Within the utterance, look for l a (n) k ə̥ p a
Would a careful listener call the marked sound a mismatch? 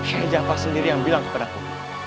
yes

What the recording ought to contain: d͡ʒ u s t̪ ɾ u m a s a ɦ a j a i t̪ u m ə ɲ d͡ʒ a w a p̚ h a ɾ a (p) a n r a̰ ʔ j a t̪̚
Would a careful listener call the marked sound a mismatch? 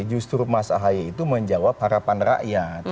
no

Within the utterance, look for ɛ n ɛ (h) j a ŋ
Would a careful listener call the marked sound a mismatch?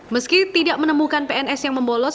yes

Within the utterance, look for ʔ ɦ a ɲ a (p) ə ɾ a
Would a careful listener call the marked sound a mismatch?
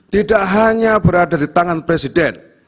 yes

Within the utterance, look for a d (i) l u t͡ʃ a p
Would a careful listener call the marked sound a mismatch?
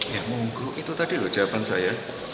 no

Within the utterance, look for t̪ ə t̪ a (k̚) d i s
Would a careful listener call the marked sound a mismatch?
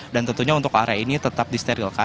yes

